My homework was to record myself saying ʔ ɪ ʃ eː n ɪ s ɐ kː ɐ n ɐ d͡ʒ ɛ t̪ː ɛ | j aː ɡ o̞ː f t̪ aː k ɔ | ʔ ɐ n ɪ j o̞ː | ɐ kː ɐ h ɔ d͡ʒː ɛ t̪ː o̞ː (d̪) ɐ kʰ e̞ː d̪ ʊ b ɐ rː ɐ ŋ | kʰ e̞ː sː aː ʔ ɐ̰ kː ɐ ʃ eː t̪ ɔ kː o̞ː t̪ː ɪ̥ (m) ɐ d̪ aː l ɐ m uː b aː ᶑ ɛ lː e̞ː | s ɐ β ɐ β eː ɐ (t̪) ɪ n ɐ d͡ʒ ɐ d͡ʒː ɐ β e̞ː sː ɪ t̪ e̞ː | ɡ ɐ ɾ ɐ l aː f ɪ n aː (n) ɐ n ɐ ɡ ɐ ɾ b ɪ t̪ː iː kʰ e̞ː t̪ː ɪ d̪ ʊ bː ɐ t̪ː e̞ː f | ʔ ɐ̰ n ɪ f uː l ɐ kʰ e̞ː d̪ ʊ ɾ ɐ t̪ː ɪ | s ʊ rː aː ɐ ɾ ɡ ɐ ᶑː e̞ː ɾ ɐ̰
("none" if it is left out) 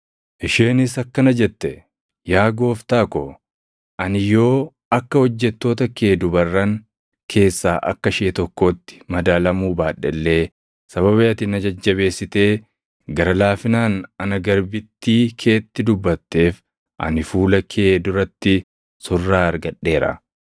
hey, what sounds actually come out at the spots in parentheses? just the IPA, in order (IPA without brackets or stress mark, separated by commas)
t̪, m, t̪, n